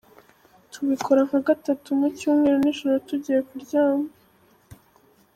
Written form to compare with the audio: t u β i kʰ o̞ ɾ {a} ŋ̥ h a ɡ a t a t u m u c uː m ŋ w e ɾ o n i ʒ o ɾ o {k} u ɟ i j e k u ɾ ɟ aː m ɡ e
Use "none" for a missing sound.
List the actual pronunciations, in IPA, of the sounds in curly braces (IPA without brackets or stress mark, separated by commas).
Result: a, t